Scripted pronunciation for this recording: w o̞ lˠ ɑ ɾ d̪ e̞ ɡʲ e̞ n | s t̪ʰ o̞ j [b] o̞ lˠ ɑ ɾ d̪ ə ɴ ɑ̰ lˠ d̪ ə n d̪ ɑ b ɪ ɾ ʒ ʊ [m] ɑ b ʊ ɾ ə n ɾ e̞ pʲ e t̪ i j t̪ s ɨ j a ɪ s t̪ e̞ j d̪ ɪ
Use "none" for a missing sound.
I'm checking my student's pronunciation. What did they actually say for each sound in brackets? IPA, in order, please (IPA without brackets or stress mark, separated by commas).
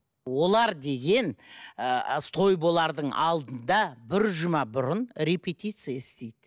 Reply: b, m